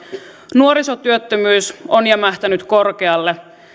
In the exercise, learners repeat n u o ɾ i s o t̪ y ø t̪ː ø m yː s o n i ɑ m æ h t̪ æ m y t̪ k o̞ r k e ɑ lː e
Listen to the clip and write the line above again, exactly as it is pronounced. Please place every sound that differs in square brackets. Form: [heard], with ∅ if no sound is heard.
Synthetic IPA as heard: n u o ɾ i s o t̪ y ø t̪ː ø m yː s o n [j] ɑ m æ h t̪ æ [n] y t̪ k o̞ r k e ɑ lː e